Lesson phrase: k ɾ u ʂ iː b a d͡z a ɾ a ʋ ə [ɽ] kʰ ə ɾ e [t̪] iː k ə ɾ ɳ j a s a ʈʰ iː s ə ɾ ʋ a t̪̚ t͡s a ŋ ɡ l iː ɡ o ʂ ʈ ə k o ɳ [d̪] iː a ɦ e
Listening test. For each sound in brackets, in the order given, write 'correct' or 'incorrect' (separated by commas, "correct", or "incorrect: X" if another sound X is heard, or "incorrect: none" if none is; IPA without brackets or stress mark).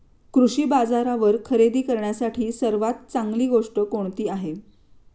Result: incorrect: ɾ, incorrect: d̪, incorrect: t̪